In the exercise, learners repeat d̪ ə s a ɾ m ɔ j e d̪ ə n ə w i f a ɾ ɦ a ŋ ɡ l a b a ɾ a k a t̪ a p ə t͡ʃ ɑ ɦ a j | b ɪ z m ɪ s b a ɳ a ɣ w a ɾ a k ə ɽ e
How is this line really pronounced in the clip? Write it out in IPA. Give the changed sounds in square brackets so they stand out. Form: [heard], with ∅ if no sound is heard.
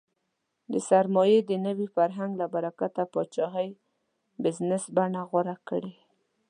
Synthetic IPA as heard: d̪ ə s a ɾ m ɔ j e d̪ ə n ə w i f a ɾ ɦ a ŋ ɡ l a b a ɾ a k a t̪ a p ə t͡ʃ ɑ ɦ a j | b ɪ z [n] ɪ s b a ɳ a ɣ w a ɾ a k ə ɽ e